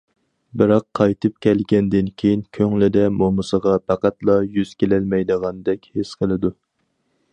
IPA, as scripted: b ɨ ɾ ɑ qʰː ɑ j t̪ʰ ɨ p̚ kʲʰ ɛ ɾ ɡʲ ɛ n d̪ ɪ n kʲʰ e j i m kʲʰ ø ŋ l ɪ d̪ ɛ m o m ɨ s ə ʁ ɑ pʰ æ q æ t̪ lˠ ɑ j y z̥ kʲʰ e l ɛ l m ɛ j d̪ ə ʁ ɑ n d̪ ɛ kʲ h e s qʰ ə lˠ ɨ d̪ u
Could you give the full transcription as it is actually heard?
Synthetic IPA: b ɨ ɾ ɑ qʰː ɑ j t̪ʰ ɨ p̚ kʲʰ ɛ l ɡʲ ɛ n d̪ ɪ n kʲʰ e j i n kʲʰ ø ŋ l ɪ d̪ ɛ m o m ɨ s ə ʁ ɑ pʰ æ q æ t̪ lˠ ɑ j y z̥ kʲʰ e l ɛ l m ɛ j d̪ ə ʁ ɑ n d̪ ɛ kʲ h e s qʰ ə lˠ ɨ d̪ u